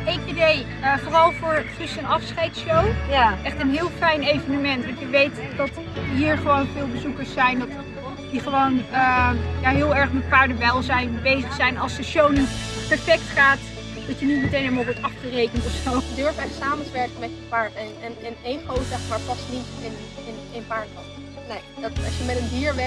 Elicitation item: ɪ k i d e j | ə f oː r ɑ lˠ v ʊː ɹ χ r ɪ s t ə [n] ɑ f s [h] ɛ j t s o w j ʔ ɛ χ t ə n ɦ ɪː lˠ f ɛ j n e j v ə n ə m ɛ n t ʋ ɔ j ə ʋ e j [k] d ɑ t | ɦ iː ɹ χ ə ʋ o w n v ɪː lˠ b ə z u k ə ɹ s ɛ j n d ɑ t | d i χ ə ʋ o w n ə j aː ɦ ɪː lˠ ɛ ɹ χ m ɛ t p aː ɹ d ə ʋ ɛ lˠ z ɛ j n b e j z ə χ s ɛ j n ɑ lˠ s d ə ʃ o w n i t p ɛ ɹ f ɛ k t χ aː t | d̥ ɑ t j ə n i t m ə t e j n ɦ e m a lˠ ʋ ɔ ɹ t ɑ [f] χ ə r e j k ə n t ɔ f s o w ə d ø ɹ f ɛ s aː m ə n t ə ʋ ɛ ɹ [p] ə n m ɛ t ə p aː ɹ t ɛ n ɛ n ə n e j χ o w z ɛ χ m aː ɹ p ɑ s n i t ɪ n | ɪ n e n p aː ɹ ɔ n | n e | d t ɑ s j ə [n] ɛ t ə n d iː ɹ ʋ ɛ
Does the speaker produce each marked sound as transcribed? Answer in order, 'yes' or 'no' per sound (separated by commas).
yes, no, no, yes, no, no